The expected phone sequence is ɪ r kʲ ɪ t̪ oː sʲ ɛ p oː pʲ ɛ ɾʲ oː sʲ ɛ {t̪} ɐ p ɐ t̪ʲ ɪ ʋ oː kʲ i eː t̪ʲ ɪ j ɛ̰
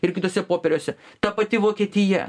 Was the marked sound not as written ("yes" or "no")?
no